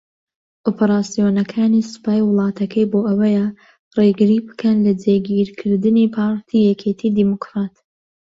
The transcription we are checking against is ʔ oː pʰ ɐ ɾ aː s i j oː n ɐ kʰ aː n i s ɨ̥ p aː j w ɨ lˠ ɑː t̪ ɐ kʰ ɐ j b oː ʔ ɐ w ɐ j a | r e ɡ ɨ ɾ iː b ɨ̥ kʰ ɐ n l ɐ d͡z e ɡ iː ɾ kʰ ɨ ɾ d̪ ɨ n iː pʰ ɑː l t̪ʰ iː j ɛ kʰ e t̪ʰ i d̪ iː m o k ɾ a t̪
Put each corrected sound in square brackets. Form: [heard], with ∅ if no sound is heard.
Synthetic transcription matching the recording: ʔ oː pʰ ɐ ɾ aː s i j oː n ɐ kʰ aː n i s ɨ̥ p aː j w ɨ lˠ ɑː t̪ ɐ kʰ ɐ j b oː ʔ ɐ w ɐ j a | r e ɡ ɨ ɾ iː b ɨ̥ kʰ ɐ n l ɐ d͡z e ɡ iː ɾ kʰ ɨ ɾ d̪ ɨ n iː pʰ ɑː [ɾ] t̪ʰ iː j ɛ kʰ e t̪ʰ i d̪ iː m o k ɾ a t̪